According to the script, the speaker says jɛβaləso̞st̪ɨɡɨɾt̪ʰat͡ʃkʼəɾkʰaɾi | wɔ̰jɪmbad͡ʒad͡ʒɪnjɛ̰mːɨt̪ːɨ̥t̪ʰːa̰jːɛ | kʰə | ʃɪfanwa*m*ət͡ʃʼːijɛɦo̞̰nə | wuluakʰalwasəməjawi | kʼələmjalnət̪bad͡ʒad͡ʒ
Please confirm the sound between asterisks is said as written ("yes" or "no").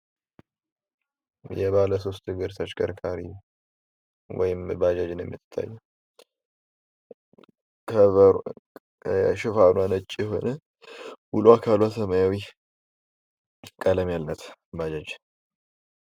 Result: no